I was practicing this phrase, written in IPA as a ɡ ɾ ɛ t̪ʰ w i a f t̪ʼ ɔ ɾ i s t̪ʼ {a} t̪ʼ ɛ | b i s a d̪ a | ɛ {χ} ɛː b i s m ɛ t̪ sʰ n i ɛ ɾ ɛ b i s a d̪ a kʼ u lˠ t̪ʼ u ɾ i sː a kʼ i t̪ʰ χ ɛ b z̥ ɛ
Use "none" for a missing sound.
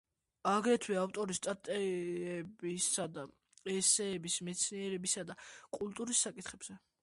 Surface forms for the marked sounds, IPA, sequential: a, s

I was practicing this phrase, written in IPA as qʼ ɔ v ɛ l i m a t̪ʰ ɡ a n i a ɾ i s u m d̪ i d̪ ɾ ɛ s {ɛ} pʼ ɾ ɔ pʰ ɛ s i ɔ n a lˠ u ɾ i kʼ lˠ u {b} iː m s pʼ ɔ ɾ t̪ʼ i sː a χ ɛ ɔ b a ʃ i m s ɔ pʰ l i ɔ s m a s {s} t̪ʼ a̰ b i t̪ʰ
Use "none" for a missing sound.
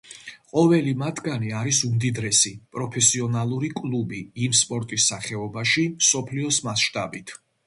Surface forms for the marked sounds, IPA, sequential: i, b, ʃ

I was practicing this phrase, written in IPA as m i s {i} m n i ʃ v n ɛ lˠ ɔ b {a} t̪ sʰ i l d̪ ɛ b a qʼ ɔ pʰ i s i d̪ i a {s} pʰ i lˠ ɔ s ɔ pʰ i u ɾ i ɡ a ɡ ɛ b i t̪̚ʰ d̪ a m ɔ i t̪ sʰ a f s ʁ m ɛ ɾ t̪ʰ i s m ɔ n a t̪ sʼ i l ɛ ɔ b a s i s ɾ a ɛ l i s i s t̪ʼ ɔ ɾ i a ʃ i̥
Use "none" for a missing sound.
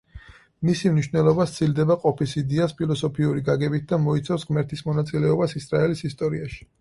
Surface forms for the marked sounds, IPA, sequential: i, a, s

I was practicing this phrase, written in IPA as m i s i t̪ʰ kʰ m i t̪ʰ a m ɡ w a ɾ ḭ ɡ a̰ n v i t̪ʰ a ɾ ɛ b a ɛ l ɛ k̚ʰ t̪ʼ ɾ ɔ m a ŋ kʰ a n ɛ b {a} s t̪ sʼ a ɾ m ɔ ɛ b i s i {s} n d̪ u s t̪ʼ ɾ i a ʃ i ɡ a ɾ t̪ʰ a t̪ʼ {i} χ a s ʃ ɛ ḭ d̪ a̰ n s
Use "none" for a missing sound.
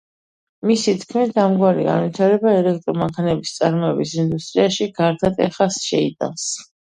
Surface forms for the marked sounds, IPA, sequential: i, none, ɛ

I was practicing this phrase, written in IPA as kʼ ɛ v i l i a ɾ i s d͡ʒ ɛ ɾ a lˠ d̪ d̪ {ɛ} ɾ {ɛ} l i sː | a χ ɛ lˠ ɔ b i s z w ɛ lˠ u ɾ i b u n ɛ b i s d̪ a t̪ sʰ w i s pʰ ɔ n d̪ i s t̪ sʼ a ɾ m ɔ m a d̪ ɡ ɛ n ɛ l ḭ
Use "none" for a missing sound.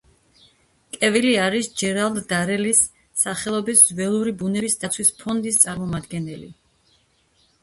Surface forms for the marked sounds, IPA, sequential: a, ɛ

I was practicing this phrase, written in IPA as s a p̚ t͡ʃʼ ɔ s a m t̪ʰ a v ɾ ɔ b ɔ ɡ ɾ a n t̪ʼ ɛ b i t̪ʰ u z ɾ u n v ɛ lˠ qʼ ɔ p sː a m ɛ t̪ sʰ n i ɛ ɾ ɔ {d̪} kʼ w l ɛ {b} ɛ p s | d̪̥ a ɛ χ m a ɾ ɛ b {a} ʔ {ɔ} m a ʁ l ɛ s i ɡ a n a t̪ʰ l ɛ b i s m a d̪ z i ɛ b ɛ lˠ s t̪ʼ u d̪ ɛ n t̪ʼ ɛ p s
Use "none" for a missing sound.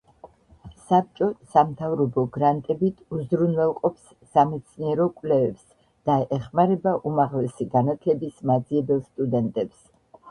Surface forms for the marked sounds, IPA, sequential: none, v, a, u

